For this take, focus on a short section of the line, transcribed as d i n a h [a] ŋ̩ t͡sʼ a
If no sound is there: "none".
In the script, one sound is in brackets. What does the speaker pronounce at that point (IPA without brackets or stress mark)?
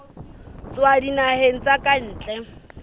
e